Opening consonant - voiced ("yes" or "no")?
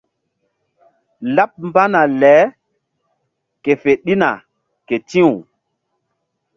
yes